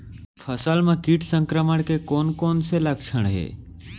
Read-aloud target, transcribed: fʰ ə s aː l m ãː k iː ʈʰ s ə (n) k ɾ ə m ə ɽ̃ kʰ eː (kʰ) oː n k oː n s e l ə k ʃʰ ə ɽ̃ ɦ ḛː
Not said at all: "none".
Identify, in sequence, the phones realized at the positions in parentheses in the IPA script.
ŋ, k

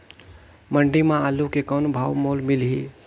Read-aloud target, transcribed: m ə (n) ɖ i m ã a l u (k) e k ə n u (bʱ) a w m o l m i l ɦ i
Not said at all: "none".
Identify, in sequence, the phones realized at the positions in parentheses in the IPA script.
ɳ, k, bʱ

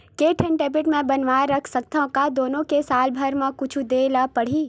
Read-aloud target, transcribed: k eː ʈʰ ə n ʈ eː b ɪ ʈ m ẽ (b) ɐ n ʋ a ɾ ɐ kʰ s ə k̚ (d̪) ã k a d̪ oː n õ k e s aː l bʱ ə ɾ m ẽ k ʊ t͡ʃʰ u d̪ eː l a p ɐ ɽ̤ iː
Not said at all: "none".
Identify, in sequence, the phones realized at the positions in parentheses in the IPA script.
b, t̪

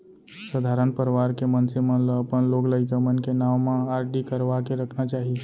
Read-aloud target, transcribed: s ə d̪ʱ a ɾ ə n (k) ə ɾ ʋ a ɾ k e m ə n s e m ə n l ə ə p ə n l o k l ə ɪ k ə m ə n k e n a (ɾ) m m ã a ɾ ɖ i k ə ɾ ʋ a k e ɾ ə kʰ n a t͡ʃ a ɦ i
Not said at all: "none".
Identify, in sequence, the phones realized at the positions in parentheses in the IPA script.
p, none

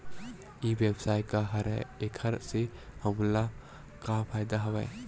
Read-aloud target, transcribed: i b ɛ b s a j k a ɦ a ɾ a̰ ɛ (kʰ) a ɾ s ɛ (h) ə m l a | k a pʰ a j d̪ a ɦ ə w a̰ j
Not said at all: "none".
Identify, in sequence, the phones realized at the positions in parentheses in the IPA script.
kʰ, h

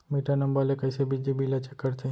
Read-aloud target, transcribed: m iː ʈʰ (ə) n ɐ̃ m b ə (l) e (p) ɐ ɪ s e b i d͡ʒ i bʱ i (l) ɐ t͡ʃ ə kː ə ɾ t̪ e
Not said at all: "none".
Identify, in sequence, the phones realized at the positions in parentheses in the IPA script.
a, l, k, l

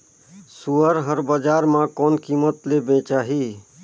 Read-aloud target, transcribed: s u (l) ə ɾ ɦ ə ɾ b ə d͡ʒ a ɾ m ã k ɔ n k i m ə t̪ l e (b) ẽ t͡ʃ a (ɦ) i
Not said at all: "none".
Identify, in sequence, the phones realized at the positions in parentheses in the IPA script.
none, b, ɦ

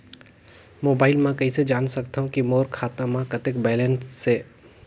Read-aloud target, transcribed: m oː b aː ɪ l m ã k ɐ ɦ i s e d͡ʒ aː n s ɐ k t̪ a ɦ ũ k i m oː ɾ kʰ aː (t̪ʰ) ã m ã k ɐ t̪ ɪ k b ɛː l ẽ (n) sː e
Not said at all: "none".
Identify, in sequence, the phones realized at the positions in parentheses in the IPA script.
t̪, n

